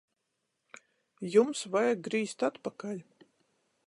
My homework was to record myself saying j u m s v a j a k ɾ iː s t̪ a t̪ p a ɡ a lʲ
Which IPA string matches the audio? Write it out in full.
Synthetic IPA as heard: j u m s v a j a ɡ ɾ iː s t̪ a t̪ p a k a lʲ